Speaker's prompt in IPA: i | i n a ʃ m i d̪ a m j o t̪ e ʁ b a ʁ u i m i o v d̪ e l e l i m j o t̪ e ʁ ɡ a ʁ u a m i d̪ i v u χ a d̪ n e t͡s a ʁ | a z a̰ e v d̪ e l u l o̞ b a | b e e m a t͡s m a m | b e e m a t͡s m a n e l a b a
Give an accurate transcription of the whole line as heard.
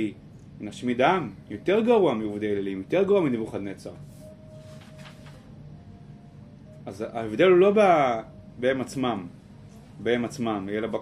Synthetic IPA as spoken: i | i n a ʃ m i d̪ a m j o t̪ e ʁ ɡ a ʁ u a m i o v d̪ e l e l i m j o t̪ e ʁ ɡ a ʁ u a m i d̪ i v u χ a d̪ n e t͡s a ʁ | a z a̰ e v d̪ e l u l o̞ b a | b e e m a t͡s m a m | b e e m a t͡s m a m e l a b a